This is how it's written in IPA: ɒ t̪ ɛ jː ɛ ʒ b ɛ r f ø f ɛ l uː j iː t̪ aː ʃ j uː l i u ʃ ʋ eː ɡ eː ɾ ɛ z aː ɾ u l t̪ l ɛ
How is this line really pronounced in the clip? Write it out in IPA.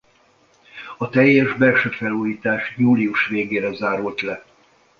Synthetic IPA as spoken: ɒ t̪ ɛ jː ɛ ʒ b ɛ r ʃ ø f ɛ l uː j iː t̪ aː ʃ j uː l i u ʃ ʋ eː ɡ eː ɾ ɛ z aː ɾ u l t̪ l ɛ